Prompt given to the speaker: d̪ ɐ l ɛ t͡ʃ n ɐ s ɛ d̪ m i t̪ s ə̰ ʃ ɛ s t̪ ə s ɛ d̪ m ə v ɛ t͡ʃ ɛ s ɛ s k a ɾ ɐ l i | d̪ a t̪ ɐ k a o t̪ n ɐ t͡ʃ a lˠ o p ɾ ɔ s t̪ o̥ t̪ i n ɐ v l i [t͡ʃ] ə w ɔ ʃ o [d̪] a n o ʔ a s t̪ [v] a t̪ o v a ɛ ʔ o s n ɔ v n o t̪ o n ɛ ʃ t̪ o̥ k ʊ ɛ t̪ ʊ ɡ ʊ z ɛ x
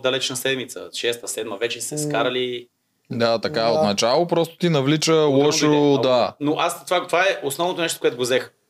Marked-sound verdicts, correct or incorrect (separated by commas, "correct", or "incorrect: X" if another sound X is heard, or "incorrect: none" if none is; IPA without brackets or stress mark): correct, correct, correct